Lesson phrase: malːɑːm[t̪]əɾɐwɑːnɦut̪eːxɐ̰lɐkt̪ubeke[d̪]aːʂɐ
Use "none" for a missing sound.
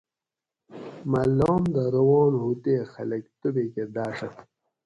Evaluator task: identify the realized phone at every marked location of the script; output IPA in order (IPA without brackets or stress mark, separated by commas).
d̪, d̪